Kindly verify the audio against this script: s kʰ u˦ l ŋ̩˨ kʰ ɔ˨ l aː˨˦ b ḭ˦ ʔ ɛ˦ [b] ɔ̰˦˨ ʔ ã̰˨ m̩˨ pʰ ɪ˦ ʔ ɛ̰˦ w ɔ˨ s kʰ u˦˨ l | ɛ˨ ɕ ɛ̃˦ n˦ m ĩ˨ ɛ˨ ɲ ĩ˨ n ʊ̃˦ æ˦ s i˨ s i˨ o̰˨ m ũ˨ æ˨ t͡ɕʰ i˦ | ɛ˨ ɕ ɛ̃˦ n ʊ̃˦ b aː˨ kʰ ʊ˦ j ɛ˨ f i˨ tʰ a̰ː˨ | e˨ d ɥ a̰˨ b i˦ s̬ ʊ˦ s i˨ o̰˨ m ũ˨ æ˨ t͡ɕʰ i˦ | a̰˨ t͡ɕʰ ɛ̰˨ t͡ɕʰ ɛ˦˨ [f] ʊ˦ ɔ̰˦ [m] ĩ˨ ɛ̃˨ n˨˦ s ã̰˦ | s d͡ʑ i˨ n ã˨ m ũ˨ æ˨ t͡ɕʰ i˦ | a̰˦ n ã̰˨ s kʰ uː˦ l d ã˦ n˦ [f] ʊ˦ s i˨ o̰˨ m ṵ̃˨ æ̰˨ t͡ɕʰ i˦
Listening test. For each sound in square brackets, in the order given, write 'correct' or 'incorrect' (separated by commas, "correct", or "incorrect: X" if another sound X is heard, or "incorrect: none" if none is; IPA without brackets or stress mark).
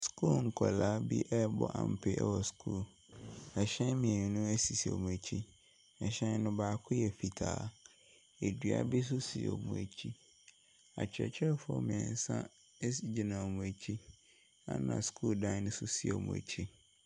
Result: correct, correct, correct, incorrect: s